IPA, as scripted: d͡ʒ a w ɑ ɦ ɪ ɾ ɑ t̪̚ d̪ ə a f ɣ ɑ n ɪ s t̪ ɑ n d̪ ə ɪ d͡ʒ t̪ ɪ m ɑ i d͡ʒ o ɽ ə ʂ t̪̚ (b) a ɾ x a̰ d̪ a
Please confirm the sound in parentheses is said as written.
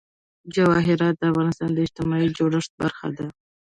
yes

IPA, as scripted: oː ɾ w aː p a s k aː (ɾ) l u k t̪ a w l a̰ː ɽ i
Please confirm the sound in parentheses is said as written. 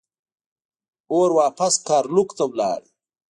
yes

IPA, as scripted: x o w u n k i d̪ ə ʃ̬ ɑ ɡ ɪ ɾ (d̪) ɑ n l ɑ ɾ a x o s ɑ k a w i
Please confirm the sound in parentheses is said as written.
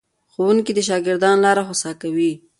yes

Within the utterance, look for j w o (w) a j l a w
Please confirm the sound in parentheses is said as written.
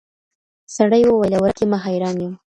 yes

